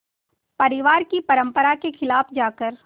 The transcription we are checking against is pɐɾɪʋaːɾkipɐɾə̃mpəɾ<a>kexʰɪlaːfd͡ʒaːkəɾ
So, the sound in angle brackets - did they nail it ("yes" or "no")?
yes